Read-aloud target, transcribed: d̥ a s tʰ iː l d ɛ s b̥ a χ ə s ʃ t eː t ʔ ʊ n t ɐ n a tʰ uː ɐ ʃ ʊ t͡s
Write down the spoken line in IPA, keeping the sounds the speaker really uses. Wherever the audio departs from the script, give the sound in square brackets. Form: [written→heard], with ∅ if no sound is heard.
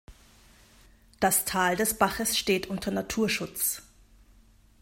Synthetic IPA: d̥ a s tʰ [iː→aː] l d ɛ s b̥ a χ ə s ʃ t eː t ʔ ʊ n t ɐ n a tʰ uː ɐ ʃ ʊ t͡s